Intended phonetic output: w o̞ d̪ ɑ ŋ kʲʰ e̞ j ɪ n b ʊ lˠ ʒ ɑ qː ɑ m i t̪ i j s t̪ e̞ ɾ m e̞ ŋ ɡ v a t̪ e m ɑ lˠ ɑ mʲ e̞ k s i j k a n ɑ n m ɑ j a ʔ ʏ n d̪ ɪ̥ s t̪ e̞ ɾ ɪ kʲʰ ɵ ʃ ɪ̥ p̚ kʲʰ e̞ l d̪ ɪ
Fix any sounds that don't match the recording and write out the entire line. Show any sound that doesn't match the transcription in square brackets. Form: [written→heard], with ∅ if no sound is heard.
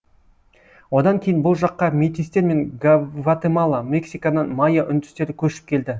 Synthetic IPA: w o̞ d̪ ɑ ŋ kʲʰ e̞ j ɪ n b ʊ lˠ ʒ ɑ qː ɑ m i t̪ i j s t̪ e̞ ɾ m e̞ ŋ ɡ v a t̪ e m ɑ lˠ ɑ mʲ e̞ k s i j k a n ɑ n m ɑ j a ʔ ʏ n d̪ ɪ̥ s t̪ e̞ ɾ ɪ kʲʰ ɵ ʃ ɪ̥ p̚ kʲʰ e̞ l d̪ ɪ